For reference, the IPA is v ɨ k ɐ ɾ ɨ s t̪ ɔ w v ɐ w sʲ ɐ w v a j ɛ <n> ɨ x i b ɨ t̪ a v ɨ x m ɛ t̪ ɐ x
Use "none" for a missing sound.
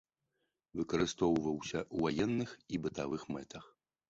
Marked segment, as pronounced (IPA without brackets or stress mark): nː